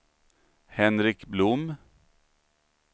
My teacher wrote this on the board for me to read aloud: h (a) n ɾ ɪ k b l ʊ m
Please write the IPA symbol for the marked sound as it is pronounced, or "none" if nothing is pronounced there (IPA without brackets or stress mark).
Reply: ɛ